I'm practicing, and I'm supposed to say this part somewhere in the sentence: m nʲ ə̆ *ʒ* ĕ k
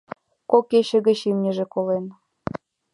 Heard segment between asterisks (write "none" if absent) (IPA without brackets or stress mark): ʒ